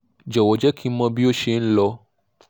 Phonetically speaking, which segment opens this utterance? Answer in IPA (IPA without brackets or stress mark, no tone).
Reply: d͡ʒ